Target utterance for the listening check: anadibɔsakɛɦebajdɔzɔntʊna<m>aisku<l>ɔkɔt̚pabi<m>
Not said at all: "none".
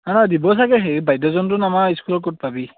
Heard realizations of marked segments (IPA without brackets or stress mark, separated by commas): m, l, none